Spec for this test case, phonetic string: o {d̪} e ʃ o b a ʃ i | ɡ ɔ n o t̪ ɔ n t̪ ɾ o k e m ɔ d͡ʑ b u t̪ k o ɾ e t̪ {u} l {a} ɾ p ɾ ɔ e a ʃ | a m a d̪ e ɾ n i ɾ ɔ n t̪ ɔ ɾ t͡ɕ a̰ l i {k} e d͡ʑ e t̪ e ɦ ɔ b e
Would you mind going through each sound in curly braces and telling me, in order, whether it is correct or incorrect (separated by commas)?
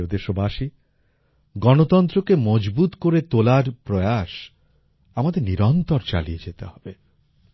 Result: correct, incorrect, correct, incorrect